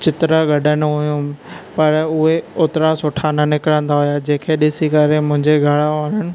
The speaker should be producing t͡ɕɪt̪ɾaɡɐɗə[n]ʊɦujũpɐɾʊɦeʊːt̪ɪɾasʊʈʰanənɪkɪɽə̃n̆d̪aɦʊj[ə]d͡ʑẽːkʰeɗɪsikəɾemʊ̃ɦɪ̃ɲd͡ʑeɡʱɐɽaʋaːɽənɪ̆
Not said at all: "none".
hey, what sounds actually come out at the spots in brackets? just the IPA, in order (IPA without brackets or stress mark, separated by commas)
n, a